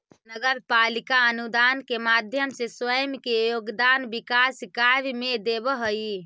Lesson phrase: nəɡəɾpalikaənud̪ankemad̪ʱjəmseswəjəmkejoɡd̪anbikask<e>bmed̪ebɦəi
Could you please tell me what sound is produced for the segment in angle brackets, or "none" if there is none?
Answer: a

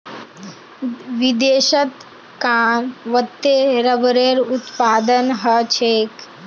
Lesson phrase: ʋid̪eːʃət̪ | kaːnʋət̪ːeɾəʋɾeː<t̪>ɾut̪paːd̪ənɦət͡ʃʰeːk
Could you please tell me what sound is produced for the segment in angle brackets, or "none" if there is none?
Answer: none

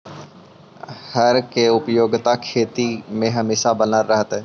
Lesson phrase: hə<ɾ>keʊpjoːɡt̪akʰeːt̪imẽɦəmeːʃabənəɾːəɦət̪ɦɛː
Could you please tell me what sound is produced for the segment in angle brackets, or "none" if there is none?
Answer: ɾ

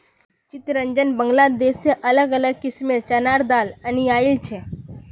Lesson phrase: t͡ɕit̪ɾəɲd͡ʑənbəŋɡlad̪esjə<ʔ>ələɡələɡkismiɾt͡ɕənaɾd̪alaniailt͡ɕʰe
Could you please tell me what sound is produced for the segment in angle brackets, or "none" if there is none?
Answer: ʔ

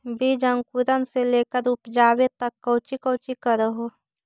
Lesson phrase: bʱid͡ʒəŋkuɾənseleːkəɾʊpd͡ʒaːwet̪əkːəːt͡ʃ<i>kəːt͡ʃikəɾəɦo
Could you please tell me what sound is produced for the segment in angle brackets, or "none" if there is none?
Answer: i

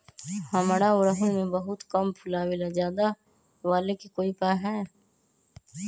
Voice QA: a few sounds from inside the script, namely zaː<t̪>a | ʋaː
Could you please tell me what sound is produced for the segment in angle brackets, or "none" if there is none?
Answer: d̪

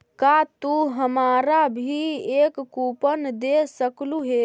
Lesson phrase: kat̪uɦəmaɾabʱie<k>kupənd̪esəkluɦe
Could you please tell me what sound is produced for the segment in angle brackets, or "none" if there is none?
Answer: k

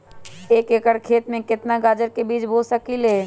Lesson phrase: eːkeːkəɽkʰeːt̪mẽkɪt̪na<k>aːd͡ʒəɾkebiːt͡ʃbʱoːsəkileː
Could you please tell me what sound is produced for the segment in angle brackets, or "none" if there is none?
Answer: ɡ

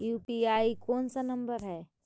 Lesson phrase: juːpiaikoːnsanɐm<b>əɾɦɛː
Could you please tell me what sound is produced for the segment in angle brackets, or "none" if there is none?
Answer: b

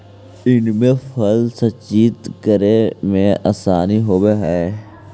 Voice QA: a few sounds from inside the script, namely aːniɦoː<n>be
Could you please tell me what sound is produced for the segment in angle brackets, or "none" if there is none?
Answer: none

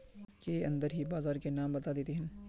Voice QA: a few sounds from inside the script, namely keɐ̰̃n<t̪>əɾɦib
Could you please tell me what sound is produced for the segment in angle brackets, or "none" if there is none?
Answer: d̪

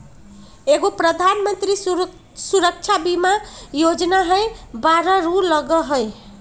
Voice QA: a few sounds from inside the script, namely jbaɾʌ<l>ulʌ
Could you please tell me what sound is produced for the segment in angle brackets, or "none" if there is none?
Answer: ɾ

